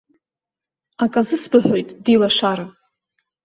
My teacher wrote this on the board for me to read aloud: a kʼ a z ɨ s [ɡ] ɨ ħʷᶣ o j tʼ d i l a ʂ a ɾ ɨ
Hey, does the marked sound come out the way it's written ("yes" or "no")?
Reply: no